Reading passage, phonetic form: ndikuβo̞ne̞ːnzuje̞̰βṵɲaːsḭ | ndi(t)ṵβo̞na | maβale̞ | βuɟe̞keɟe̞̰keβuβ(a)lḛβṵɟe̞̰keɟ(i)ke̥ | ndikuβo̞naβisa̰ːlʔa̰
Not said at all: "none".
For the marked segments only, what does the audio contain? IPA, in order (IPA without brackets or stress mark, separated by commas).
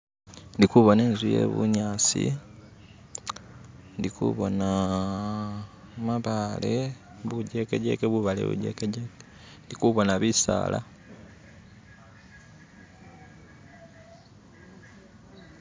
k, a, e